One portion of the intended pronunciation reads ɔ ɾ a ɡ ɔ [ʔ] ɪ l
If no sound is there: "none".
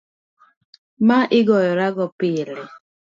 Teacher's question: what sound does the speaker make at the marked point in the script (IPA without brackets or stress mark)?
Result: p